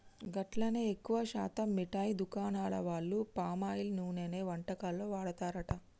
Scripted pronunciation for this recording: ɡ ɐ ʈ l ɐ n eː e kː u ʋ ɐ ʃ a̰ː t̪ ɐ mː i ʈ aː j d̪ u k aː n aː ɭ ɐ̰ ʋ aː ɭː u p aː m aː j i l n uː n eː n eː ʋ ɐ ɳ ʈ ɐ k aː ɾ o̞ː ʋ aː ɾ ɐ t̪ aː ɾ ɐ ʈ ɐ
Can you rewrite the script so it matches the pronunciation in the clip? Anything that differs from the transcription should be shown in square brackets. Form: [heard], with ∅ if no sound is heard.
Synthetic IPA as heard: ɡ ɐ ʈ l ɐ n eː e kː u ʋ ɐ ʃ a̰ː t̪ ɐ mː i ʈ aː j d̪ u k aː n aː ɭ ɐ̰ ʋ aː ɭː u p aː m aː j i l n uː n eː n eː ʋ ɐ ɳ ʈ ɐ k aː [l] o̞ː ʋ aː [ɽ] ɐ t̪ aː ɾ ɐ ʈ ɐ